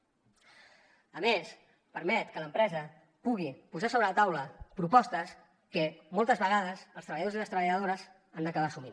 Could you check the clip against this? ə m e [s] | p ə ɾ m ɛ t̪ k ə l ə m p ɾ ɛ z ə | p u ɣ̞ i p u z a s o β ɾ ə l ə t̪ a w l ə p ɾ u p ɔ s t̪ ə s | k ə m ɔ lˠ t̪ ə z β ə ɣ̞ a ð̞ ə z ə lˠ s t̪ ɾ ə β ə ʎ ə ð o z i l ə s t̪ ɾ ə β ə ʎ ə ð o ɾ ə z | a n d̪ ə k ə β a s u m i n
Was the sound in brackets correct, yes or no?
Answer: yes